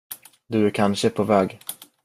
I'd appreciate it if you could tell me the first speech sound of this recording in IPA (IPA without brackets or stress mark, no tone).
d̪